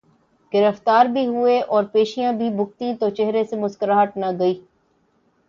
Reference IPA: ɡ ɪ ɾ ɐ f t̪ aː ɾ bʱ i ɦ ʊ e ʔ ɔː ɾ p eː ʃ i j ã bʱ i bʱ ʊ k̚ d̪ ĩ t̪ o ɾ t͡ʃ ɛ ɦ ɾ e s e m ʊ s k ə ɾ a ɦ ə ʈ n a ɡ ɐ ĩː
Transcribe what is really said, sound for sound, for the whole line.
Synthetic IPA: ɡ ɪ ɾ ə f t̪ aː ɾ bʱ i ɦ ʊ e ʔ ɔː ɾ p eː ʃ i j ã bʱ i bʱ ʊ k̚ t̪ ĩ t̪ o t͡ʃ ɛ ɦ ɾ e s e m ʊ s k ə ɾ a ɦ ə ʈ n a ɡ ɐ iː